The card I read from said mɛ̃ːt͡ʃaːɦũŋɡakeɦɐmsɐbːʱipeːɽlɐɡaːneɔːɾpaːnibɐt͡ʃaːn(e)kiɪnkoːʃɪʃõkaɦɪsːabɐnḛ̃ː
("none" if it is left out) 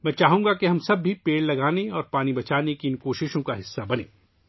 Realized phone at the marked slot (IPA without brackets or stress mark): e